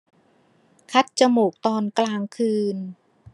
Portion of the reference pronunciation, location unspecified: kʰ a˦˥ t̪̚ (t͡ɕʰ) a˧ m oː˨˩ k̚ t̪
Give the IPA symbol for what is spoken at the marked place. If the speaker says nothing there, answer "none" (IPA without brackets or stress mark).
t͡ɕ